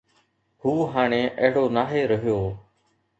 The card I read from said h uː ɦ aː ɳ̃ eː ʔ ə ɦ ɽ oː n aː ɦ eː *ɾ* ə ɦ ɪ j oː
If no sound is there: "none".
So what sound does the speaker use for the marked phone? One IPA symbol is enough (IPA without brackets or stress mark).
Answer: ɾ